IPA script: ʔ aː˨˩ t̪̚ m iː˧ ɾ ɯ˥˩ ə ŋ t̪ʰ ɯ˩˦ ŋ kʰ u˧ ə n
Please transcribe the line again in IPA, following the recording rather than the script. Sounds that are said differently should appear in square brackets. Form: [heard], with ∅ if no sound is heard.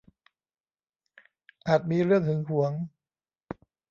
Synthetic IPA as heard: ʔ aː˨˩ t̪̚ m iː˧ ɾ ɯ˥˩ ə ŋ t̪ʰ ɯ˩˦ ŋ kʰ [u˩˦] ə [ŋ]